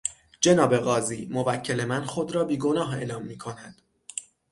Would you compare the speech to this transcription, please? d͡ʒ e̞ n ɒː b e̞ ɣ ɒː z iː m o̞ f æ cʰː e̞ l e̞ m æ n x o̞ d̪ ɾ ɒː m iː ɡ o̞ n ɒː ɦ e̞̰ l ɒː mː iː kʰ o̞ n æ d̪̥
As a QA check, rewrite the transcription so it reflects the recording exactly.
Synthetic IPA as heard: d͡ʒ e̞ n ɒː b e̞ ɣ ɒː z iː m o̞ v æ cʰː e̞ l e̞ m æ n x o̞ d̪ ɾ ɒː b iː ɡ o̞ n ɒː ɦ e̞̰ l ɒː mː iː kʰ o̞ n æ d̪̥

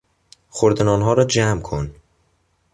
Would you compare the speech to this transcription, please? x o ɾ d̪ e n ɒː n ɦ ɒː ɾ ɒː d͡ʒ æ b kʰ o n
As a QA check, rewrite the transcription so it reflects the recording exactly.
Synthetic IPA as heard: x o ɾ d̪ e n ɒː n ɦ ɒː ɾ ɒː d͡ʒ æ m kʰ o n

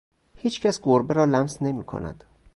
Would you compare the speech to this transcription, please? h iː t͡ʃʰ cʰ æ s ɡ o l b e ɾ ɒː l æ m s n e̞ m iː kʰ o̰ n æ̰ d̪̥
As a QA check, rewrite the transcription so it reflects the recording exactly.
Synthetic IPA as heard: h iː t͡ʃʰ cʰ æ s ɡ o ɾ b e ɾ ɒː l æ m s n e̞ m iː kʰ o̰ n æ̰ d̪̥

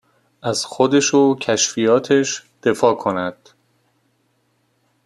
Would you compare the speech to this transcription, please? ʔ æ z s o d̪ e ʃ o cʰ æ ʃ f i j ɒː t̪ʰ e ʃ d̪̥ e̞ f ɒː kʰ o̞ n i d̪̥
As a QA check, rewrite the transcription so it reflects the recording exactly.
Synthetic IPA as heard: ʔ æ z x o d̪ e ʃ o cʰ æ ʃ f i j ɒː t̪ʰ e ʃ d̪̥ e̞ f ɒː kʰ o̞ n æ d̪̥

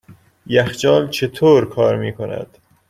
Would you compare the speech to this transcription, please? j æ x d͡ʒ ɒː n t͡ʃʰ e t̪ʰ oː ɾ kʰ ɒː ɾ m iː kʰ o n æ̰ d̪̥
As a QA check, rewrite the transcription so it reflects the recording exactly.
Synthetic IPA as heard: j æ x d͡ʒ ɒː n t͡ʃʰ e t̪ʰ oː ɾ kʰ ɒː ɾ m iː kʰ o n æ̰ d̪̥

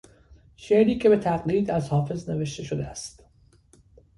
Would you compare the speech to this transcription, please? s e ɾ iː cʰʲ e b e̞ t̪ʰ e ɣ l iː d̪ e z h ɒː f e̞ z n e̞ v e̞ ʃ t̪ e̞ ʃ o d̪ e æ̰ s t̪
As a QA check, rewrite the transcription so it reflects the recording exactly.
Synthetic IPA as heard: ʃ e ɾ iː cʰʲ e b e̞ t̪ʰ æ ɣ l iː d̪ æ z h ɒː f e̞ z n e̞ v e̞ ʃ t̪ e̞ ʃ o d̪ e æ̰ s t̪

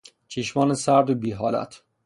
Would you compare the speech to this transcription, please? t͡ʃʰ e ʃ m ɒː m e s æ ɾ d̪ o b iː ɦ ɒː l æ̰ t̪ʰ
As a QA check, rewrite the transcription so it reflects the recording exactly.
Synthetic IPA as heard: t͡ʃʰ e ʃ m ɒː n e s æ ɾ d̪ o b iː ɦ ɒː l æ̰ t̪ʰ

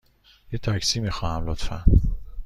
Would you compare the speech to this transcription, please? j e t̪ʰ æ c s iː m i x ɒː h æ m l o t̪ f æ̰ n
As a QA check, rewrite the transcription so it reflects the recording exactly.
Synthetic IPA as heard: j e t̪ʰ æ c s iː m i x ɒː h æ m l o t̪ f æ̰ n

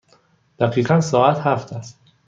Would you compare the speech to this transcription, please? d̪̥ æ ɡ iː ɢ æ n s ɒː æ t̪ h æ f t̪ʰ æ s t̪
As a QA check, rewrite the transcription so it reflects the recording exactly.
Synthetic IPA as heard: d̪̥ æ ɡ iː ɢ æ n s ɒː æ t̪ h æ f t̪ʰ æ s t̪

